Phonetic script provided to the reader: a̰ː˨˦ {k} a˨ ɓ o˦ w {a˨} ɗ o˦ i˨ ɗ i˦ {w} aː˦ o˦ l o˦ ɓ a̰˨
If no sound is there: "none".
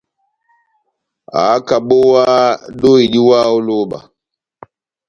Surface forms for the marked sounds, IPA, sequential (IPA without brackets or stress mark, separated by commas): k, a˦, w